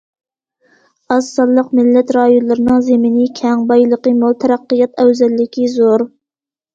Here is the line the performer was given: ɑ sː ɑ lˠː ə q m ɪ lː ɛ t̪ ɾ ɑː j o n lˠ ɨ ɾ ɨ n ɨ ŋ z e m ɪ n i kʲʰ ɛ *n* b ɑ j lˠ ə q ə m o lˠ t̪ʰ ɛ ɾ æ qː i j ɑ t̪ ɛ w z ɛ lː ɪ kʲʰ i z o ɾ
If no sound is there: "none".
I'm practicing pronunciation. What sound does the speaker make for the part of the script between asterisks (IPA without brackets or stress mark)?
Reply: ŋ